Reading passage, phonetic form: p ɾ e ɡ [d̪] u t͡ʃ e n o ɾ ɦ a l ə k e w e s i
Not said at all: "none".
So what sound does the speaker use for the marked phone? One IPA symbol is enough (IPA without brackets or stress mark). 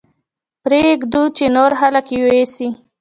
d̪